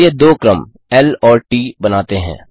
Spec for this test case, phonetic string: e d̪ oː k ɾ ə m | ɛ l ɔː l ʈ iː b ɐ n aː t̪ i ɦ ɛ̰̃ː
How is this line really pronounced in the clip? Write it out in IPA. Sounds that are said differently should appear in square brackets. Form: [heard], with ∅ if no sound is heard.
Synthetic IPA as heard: e d̪ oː k ɾ ə m | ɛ l ɔː [ɾ] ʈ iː b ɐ n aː t̪ [e] ɦ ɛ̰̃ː